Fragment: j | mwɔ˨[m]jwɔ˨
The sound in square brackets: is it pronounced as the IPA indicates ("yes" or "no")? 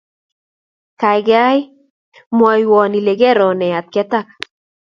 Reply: no